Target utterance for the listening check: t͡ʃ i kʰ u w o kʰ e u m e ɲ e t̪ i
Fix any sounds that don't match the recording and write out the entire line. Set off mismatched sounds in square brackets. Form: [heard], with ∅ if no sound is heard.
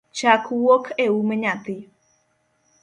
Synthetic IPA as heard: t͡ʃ [a] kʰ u w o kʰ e u m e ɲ [a] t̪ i